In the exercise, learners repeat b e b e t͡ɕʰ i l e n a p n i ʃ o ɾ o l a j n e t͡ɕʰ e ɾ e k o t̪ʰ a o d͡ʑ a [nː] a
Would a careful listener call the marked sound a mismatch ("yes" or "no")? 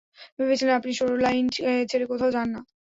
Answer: no